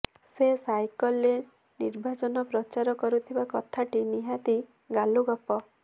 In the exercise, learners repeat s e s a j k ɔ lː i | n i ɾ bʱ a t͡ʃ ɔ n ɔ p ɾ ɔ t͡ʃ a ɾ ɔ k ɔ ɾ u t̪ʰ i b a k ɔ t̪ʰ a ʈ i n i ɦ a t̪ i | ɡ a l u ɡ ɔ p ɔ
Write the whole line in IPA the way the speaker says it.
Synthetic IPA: s e s a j k ɔ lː e | n i ɾ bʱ a t͡ʃ ɔ n ɔ p ɾ ɔ t͡ʃ a ɾ ɔ k ɔ ɾ u t̪ʰ i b a k ɔ t̪ʰ a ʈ i n i ɦ a t̪ i | ɡ a l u ɡ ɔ p ɔ